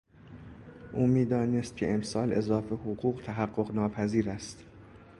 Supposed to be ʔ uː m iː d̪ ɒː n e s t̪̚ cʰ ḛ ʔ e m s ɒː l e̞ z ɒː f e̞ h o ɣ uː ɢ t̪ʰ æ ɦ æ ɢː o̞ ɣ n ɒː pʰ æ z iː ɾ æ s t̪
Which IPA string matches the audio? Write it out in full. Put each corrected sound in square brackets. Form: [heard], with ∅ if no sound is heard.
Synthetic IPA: ʔ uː m iː d̪ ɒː n e s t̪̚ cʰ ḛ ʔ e m s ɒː l e̞ z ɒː f e̞ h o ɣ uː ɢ t̪ʰ æ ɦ æ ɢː o̞ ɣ n ɒː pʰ æ z iː ɾ æ s t̪